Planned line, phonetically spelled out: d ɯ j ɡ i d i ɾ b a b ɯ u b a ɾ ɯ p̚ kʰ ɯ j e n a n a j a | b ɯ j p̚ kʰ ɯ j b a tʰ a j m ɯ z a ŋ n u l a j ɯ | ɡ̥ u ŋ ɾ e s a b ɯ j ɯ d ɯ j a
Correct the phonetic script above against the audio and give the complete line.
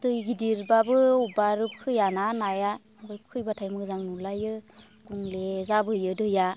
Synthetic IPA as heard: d ɯ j ɡ i d i ɾ b a b ɯ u b a ɾ ɯ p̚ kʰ ɯ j a n a n a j a | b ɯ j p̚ kʰ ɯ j b a tʰ a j m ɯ z a ŋ n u l a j ɯ | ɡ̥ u ŋ l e z a b ɯ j ɯ d ɯ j a